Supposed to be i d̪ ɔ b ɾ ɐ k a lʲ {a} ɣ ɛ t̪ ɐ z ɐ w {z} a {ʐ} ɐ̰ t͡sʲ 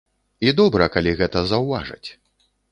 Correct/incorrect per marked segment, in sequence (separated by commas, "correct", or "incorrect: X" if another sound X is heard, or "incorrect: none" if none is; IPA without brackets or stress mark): incorrect: i, incorrect: v, correct